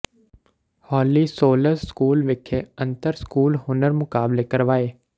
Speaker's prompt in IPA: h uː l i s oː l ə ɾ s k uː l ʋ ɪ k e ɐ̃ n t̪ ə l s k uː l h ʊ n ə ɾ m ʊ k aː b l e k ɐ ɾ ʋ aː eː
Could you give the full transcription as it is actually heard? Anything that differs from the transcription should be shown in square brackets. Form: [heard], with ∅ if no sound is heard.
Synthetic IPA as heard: h [ɔː] l i s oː l ə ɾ s k uː l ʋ ɪ [kʰ] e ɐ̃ n t̪ ə [ɾ] s k uː l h ʊ n ə ɾ m ʊ k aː b l e k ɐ ɾ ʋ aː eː